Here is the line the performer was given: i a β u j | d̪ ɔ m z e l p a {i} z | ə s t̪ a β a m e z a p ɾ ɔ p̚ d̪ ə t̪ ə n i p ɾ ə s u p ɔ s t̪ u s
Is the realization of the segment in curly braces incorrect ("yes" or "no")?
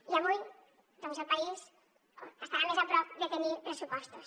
no